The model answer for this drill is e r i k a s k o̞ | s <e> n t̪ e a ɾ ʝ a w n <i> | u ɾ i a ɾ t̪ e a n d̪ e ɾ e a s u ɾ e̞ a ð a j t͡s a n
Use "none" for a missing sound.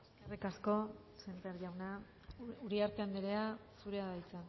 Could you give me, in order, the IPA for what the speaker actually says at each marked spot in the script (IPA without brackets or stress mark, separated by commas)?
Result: e, a